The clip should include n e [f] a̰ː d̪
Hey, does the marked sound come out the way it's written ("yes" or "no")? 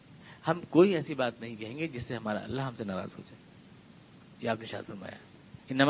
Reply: no